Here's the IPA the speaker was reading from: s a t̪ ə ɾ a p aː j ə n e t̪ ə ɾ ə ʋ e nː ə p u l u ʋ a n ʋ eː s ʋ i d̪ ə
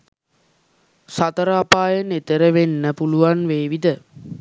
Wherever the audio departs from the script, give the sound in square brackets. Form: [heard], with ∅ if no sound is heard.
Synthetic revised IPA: s a t̪ ə ɾ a p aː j ə n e t̪ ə ɾ ə ʋ e nː ə p u l u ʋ a n ʋ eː [∅] ʋ i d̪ ə

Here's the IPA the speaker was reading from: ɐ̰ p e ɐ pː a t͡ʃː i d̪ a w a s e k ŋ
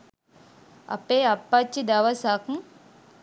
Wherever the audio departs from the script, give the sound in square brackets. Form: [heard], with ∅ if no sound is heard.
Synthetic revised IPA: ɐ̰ p e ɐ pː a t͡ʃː i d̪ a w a s [a] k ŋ

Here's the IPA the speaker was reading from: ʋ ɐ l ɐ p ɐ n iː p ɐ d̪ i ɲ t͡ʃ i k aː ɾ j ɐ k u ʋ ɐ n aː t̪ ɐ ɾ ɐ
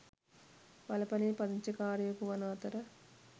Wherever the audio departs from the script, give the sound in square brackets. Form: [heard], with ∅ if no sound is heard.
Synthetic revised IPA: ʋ ɐ l ɐ p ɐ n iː p ɐ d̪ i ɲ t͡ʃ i k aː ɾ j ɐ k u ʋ ɐ n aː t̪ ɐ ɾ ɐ

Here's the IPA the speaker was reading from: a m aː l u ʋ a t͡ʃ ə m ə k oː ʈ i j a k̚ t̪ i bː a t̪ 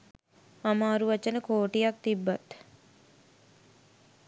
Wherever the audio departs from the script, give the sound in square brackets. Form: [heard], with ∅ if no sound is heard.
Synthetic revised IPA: a m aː [ɾ] u ʋ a t͡ʃ ə [n] ə k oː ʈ i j a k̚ t̪ i bː a t̪

